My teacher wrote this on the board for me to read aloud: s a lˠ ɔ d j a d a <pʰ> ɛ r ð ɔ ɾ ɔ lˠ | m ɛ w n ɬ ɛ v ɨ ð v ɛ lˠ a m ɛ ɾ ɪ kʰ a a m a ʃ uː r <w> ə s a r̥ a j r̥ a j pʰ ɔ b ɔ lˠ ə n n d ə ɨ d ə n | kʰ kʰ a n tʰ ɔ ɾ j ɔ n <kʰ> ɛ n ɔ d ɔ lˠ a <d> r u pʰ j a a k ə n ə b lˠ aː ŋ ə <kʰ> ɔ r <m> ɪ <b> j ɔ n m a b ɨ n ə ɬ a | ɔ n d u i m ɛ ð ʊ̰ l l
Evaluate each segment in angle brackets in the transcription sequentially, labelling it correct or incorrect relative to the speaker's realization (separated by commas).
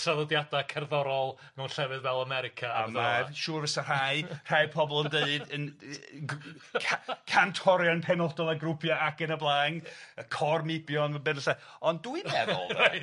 incorrect, incorrect, incorrect, incorrect, correct, correct, correct